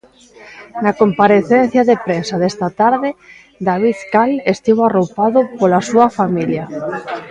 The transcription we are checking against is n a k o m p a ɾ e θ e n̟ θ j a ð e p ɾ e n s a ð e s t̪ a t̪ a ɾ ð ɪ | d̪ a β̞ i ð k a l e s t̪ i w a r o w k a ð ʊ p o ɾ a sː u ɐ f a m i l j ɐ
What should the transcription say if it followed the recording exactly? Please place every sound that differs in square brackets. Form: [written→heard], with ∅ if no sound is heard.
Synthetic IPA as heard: n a k o m p a ɾ e θ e n̟ θ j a ð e p ɾ e n s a ð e s t̪ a t̪ a ɾ ð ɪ | d̪ a β̞ i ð k a l e s t̪ i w a r o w [k→p] a ð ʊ p o [ɾ→l] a [sː→s] u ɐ f a m i l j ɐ